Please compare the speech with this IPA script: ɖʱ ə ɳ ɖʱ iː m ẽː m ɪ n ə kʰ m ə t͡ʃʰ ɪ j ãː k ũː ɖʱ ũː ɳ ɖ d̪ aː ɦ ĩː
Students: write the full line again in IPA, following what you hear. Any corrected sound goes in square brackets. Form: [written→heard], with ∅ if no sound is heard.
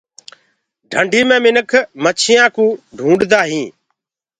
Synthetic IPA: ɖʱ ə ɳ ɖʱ iː m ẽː m ɪ n ə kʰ m ə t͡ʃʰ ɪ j ãː k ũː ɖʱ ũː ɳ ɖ d̪ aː ɦ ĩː